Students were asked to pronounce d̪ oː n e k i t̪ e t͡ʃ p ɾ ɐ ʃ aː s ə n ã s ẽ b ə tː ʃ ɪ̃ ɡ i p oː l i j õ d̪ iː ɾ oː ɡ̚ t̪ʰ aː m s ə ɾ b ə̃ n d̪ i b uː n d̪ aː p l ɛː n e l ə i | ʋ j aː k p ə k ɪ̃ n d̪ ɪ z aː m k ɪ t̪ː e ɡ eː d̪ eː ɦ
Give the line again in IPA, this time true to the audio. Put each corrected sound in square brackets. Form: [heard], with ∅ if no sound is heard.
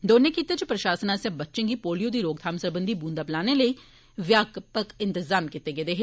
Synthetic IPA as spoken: d̪ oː n e k i t̪ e t͡ʃ p ɾ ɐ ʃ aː s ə n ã s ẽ b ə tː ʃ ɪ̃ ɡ i p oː l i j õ d̪ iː ɾ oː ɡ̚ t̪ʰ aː m s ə ɾ b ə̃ n d̪ i b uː n d̪ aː p l [aː] n e l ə i | ʋ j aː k p ə k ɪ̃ n [t̪] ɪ z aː m k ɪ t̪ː e ɡ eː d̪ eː ɦ